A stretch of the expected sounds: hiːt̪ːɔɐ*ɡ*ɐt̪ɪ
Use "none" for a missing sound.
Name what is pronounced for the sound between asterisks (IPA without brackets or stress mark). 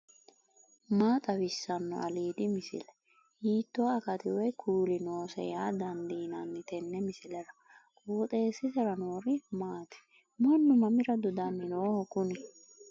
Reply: k